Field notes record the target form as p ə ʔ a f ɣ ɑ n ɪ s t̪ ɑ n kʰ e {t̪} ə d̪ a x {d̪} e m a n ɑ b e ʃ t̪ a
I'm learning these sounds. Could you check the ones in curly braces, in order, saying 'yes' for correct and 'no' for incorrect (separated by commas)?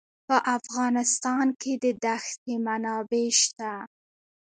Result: no, no